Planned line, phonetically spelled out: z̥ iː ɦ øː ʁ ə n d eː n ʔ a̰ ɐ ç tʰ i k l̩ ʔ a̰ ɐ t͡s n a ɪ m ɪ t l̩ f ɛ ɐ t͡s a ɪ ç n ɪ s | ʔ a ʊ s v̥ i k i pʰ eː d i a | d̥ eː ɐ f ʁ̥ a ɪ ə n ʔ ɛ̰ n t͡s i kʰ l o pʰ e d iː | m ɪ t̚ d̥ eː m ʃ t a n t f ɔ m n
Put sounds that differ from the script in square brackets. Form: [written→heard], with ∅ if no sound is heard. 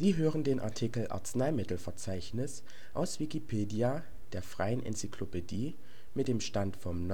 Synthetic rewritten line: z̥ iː ɦ øː ʁ ə n d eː n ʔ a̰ ɐ [ç→∅] tʰ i k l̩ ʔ a̰ ɐ t͡s n a ɪ m ɪ t l̩ f ɛ ɐ t͡s a ɪ ç n ɪ s | ʔ a ʊ s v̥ i k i pʰ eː d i a | d̥ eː ɐ f ʁ̥ a ɪ ə n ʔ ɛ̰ n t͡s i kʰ l o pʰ e d iː | m ɪ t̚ d̥ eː m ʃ t a n t f ɔ m n